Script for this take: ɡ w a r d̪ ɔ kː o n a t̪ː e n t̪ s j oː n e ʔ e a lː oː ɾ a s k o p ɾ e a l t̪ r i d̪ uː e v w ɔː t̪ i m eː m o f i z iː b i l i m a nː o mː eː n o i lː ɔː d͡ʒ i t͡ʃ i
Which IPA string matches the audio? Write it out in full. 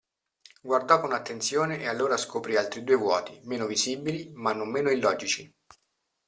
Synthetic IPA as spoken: ɡ w a r d̪ ɔ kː o n a t̪ː e n t̪ s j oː n e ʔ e a lː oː ɾ a s k o p ɾ i a l t̪ ɾ i d̪ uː e v w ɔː t̪ i m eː n o v i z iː b i l i m a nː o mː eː n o i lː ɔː d͡ʒ i t͡ʃ i